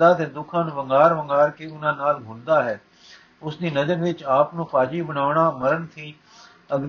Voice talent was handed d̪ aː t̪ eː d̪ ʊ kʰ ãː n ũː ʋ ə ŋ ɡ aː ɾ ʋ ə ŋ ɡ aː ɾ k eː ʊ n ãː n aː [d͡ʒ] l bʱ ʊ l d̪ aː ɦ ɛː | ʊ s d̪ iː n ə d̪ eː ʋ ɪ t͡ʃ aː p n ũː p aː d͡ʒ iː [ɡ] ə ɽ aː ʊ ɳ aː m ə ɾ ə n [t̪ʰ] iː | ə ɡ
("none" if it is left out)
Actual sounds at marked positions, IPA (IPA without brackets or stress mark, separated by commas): none, b, t̪ʰ